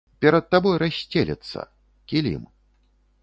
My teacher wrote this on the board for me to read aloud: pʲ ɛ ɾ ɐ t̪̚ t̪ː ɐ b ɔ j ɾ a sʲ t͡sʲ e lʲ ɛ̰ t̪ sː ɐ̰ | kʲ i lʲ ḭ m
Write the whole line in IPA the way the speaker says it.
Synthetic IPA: pʲ ɛ ɾ ɐ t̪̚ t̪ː a b ɔ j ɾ a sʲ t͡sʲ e lʲ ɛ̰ t̪ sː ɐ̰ | kʲ i lʲ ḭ m